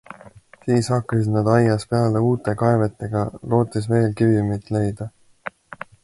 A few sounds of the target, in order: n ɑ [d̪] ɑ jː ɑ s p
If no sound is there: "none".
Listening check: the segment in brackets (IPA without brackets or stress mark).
d̪